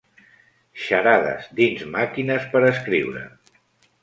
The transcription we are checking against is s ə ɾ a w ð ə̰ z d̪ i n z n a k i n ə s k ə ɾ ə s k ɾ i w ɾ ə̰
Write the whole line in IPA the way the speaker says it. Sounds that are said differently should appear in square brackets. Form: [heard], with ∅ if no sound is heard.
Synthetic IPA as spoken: [ʃ] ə ɾ a [∅] ð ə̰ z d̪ i n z [m] a k i n ə s [p] ə ɾ ə s k ɾ i w ɾ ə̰